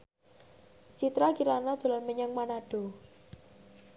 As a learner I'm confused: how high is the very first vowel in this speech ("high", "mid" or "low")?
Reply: high